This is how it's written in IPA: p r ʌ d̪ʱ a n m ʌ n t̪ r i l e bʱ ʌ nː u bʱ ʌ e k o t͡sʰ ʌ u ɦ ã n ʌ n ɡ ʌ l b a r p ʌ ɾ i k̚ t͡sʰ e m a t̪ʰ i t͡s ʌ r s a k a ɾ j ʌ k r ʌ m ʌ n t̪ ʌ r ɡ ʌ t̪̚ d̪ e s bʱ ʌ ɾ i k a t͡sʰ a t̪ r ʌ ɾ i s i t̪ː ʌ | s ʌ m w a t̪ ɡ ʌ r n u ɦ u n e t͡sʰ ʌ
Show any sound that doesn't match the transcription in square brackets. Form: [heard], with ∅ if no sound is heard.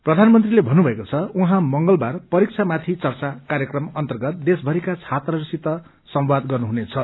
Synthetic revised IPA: p r ʌ d̪ʱ a n m ʌ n t̪ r i l e bʱ ʌ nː u bʱ ʌ e k o t͡sʰ ʌ u ɦ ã [m] ʌ [ŋ] ɡ ʌ l b a r p ʌ ɾ i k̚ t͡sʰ [a] m a t̪ʰ i t͡s ʌ r [t͡s] a k a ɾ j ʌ k r ʌ m ʌ n t̪ ʌ r ɡ ʌ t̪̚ d̪ e s bʱ ʌ ɾ i k a t͡sʰ a t̪ r ʌ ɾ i s i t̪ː ʌ | s ʌ m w a [d̪] ɡ ʌ r n u ɦ u n e t͡sʰ ʌ